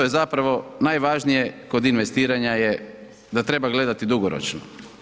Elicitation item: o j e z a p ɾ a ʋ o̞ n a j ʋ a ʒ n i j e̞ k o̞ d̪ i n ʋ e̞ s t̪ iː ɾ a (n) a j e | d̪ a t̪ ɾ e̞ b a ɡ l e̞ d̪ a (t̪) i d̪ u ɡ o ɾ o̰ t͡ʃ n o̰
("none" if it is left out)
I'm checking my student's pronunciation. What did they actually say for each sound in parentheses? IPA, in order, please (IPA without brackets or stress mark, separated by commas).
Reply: ɲ, t̪